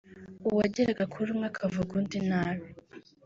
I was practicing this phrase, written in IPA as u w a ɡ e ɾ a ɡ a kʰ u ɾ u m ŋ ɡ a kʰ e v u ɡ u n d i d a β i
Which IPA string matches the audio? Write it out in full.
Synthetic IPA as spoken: u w a ɟ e ɾ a ɡ a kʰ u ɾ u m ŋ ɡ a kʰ a v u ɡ u n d i n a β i